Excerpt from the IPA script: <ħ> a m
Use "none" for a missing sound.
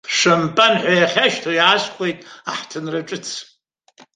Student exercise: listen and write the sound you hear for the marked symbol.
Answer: ʂ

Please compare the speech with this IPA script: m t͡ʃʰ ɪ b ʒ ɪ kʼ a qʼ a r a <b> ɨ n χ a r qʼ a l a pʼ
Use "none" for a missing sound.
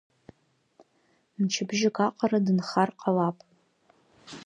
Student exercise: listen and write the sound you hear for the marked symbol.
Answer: d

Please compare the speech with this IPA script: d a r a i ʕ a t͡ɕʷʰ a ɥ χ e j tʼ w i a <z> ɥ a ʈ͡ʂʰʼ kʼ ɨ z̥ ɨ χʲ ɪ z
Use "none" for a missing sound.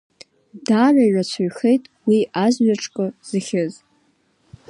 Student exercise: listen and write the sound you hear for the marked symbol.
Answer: z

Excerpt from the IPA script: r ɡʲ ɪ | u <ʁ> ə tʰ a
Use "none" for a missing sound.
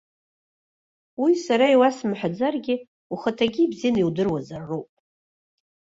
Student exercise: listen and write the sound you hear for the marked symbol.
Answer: χ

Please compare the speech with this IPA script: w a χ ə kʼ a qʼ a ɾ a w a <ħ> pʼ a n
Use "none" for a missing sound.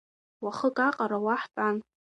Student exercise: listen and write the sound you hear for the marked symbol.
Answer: ħ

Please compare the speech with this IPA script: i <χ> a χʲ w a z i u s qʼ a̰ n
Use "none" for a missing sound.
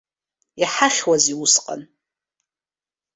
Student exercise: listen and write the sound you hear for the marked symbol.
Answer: ħ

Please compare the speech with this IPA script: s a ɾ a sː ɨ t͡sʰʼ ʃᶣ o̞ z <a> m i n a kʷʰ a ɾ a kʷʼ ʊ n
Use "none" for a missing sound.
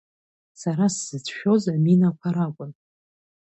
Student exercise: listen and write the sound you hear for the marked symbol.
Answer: a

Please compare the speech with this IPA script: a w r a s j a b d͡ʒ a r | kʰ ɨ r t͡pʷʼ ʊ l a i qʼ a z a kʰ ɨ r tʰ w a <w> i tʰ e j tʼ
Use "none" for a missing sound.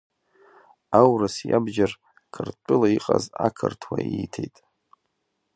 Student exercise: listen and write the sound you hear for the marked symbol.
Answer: none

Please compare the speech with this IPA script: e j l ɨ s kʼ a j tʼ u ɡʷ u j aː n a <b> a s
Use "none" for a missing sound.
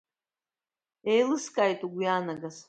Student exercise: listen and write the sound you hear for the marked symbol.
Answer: ɡ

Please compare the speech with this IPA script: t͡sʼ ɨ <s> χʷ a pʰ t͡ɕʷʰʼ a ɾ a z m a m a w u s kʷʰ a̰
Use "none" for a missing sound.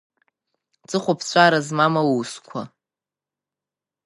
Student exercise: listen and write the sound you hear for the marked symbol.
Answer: none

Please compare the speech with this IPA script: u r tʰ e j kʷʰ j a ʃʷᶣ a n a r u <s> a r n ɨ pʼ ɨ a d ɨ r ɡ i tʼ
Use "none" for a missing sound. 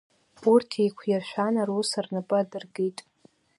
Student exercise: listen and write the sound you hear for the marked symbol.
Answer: s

